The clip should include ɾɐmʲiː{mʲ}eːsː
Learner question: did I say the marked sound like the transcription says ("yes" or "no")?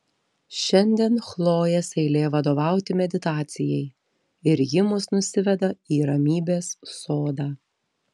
no